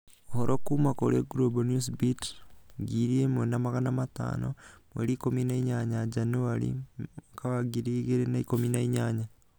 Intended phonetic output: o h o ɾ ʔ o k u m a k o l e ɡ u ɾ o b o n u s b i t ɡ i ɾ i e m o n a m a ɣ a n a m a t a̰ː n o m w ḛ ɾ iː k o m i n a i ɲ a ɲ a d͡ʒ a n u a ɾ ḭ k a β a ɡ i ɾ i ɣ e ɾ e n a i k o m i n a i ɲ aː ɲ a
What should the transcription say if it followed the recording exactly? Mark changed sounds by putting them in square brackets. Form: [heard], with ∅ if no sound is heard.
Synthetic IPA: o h o ɾ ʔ o k u m a k o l e ɡ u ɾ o b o n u s b i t ɡ i ɾ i e m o n a m a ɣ a n a m a t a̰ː n o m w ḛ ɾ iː k o m i n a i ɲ a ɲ a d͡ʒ a n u a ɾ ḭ k a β a ɡ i ɾ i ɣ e ɾ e n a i k o m i n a i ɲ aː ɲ a